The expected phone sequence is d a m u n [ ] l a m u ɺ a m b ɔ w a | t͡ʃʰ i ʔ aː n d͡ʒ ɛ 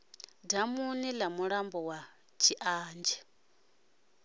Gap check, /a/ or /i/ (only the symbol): i